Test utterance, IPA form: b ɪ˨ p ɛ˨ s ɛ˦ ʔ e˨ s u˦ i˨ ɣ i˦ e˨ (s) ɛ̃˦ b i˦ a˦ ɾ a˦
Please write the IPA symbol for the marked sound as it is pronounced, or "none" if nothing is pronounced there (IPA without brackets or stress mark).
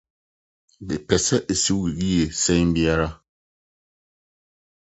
s